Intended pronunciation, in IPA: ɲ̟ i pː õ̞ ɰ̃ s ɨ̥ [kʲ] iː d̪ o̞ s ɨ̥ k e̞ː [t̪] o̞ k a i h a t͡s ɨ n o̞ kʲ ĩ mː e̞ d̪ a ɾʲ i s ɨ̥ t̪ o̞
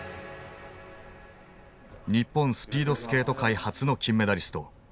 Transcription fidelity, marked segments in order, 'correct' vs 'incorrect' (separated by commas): incorrect, correct